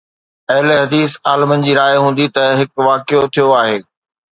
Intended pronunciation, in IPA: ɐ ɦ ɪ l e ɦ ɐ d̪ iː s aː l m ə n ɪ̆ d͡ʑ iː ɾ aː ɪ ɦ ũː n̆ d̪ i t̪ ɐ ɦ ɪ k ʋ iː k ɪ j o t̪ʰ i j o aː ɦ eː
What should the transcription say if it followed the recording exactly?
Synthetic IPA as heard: ɐ ɦ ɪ l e ɦ ɐ d̪ iː s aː l m ə n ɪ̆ d͡ʑ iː ɾ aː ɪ ɦ ũː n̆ d̪ i t̪ ɐ ɦ ɪ k ʋ aː k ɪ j o t̪ʰ i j o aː ɦ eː